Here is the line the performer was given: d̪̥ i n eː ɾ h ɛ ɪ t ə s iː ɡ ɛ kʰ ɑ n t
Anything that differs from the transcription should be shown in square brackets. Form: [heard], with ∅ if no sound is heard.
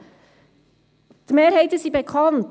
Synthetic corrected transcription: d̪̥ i [m] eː ɾ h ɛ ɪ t ə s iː [b] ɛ kʰ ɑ n t